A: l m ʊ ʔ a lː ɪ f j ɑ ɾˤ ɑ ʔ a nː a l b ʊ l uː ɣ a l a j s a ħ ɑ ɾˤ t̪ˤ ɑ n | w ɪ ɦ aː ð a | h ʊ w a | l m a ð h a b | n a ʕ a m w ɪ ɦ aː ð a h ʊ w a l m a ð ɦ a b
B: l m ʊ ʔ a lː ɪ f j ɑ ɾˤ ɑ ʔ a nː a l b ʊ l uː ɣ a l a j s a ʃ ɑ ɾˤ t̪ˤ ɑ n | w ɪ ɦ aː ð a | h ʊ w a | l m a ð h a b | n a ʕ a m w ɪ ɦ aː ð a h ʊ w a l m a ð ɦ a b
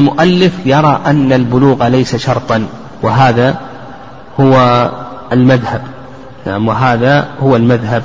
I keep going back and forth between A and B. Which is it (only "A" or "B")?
B